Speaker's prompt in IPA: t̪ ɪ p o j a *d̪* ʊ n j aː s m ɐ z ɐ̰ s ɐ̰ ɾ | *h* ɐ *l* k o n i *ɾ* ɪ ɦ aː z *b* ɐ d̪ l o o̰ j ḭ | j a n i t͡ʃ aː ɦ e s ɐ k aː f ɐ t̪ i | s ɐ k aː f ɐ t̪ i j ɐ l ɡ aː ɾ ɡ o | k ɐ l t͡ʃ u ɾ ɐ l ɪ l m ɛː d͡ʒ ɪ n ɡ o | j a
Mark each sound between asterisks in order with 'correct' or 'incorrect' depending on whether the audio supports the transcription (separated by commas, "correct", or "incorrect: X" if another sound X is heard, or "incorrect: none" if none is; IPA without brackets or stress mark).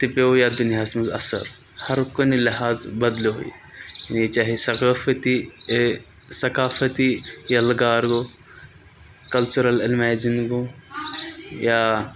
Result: correct, correct, incorrect: ɾ, incorrect: l, correct